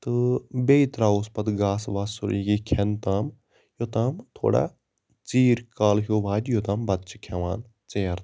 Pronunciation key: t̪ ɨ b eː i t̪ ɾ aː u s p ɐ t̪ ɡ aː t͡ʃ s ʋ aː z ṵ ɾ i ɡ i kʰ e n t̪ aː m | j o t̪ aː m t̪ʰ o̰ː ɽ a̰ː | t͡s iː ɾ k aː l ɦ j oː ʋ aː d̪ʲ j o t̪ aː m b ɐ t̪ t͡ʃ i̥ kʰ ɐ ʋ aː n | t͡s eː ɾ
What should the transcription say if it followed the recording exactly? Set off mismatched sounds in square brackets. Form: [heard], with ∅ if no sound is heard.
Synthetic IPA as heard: t̪ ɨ b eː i t̪ ɾ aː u s p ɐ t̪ ɡ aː [∅] s ʋ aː [s] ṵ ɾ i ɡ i kʰ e n t̪ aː m | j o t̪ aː m t̪ʰ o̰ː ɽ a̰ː | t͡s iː ɾ k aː l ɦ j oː ʋ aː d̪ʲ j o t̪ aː m b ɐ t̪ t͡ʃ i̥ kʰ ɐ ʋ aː n | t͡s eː ɾ